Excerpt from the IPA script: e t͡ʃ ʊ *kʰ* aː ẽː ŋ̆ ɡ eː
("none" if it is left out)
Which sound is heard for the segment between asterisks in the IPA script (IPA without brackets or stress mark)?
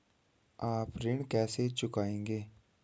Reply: k